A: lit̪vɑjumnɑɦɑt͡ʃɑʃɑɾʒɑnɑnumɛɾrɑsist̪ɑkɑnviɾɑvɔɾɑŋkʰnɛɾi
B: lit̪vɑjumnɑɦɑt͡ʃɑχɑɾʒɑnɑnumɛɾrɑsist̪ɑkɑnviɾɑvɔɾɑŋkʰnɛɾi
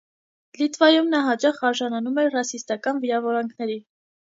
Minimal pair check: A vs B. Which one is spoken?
B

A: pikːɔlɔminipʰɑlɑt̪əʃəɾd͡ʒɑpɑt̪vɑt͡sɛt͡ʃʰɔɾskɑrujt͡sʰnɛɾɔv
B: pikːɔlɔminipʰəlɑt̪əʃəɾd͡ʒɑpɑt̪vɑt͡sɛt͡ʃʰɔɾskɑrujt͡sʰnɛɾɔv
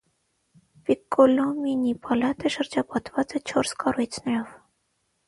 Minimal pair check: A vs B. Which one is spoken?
A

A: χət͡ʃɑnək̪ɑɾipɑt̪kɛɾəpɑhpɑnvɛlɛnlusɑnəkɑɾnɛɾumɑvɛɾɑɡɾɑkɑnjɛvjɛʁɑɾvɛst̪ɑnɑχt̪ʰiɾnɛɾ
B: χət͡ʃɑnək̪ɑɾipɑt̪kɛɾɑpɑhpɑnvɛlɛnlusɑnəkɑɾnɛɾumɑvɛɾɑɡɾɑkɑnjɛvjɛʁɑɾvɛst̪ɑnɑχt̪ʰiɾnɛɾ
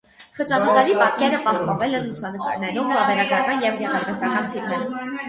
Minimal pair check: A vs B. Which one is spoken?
A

